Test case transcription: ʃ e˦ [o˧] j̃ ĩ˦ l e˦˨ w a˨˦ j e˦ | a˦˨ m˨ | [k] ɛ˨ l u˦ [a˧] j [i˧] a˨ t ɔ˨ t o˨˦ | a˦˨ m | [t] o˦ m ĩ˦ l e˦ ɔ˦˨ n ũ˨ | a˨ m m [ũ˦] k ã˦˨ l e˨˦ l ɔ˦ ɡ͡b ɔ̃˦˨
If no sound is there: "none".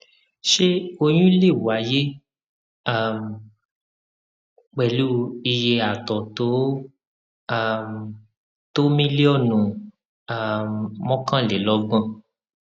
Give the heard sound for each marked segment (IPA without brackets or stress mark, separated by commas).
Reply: o˧, k͡p, i˧, e˧, t, ɔ̃˦